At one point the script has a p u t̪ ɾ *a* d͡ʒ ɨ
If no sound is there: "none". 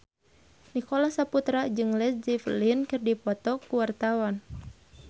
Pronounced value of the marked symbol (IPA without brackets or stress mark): a